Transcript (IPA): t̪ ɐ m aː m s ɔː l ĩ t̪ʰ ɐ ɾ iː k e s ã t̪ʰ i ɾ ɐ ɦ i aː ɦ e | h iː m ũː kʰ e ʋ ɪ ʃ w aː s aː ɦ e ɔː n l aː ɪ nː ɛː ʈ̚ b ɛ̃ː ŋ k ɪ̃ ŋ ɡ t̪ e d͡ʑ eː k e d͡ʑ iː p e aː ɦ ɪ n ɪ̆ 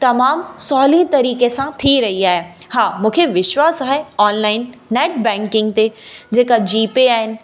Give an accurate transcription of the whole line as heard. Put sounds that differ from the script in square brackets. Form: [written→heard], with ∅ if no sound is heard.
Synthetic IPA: t̪ ɐ m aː m s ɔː l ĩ [t̪ʰ→t̪] ɐ ɾ iː k e s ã t̪ʰ i ɾ ɐ ɦ i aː ɦ e | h [iː→aː] m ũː kʰ e ʋ ɪ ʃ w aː s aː ɦ e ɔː n l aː ɪ nː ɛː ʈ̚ b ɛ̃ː ŋ k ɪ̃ ŋ ɡ t̪ e d͡ʑ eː k [e→a] d͡ʑ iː p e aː ɦ ɪ n ɪ̆